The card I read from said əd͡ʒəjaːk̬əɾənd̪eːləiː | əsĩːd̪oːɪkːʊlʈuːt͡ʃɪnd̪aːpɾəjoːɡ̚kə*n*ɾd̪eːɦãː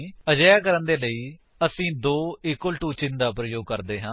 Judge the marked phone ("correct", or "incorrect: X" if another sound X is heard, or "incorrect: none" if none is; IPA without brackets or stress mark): incorrect: none